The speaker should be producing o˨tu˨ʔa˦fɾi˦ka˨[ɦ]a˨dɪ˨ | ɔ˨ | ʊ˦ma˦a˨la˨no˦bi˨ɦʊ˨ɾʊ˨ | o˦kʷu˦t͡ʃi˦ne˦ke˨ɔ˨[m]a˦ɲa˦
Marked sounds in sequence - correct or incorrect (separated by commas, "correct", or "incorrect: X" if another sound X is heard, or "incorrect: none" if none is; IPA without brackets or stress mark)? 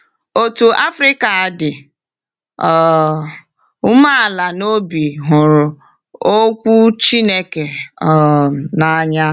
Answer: incorrect: none, incorrect: n